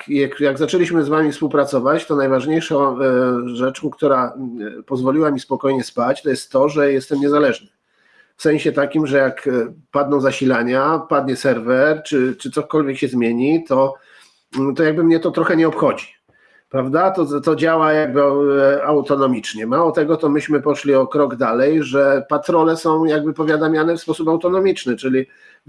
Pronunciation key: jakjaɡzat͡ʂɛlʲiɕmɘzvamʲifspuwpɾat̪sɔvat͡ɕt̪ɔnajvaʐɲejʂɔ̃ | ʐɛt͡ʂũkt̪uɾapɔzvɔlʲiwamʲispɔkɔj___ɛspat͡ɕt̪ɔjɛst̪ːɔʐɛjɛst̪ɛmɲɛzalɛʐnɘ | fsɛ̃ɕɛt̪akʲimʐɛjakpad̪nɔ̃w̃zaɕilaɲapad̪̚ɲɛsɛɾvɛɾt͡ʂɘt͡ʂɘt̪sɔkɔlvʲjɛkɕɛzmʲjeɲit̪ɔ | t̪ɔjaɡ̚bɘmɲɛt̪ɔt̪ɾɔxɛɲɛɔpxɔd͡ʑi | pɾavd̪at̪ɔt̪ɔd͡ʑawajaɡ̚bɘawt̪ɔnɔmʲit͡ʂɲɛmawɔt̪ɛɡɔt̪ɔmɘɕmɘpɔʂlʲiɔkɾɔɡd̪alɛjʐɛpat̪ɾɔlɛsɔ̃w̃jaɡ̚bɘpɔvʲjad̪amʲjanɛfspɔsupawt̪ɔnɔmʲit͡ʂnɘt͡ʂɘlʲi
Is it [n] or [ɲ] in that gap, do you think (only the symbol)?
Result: ɲ